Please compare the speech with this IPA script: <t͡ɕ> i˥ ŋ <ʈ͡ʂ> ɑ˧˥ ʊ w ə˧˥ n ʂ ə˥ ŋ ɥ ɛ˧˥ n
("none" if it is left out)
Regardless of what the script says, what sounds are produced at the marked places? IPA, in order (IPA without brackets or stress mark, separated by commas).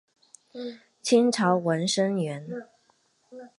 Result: t͡ɕʰ, ʈ͡ʂʰ